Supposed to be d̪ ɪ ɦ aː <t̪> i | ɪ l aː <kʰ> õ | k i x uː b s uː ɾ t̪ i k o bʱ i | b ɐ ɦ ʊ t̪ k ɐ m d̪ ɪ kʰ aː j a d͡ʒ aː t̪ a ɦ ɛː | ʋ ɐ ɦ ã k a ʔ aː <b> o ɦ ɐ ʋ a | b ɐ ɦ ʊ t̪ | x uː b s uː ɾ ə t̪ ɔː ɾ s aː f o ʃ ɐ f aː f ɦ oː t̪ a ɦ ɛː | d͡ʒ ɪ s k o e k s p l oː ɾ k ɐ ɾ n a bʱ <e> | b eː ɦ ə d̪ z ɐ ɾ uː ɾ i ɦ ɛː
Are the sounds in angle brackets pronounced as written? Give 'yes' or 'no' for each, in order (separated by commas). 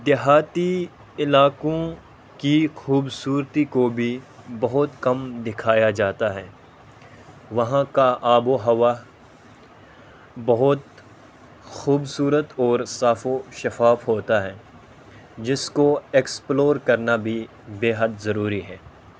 yes, no, yes, no